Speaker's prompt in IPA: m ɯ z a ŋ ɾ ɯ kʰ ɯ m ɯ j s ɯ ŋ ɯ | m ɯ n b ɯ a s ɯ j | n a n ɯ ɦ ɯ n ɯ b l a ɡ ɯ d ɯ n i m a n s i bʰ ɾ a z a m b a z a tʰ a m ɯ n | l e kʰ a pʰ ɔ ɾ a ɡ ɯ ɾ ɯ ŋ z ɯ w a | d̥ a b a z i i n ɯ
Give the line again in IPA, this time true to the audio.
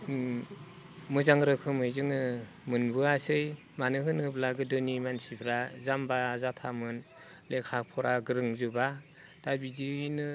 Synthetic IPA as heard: m ɯ z a ŋ ɾ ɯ kʰ ɯ m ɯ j z ɯ ŋ ɯ | m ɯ n b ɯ a s ɯ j | m a n ɯ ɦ ɯ n ɯ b l a ɡ ɯ d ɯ n i m a n s i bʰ ɾ a z a m b a z a tʰ a m ɯ n | l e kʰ a pʰ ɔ ɾ a ɡ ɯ ɾ ɯ ŋ z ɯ b a | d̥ a b i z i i n ɯ